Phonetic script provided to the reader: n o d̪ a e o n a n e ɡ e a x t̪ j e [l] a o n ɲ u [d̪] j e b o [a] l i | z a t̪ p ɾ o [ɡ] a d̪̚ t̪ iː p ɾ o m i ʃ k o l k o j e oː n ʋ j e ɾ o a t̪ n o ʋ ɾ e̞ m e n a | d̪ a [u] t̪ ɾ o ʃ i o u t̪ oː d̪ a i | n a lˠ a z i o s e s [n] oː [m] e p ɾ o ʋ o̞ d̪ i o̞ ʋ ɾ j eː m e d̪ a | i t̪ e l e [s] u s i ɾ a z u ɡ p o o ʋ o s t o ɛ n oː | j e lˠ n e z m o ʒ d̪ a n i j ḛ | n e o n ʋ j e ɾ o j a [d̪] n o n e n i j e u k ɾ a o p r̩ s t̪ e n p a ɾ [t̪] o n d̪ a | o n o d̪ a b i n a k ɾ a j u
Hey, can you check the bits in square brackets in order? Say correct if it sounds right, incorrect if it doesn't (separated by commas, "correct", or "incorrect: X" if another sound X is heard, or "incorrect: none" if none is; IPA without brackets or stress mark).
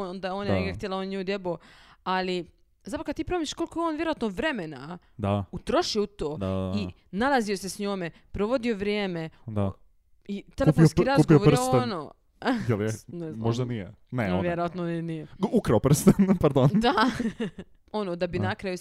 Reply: correct, correct, correct, incorrect: k, correct, incorrect: ɲ, correct, incorrect: f, incorrect: t̪, incorrect: d̪